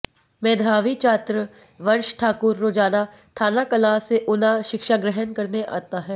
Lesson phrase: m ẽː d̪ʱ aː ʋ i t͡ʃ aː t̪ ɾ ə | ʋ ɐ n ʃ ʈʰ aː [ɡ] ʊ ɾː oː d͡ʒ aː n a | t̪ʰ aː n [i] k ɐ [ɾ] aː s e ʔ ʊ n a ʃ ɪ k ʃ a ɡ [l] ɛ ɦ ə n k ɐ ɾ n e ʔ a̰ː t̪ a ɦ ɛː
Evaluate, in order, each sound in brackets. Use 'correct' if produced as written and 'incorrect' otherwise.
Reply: incorrect, incorrect, incorrect, incorrect

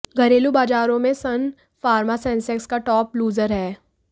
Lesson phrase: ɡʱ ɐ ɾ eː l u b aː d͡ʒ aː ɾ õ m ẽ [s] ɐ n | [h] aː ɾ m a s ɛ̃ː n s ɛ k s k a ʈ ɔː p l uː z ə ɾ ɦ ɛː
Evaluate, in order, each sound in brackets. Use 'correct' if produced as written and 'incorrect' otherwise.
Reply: correct, incorrect

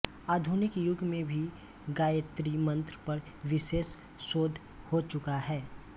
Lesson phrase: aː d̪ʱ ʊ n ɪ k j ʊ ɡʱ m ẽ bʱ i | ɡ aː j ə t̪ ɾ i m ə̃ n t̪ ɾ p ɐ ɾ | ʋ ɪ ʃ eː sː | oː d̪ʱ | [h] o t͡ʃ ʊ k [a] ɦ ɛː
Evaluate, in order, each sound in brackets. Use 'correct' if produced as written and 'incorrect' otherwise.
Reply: correct, correct

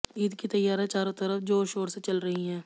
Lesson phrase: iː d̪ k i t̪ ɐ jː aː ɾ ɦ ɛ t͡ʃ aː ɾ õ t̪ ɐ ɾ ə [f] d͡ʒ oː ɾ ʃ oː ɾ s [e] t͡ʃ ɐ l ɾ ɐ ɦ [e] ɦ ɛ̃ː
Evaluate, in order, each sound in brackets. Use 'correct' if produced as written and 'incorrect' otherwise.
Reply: correct, correct, incorrect

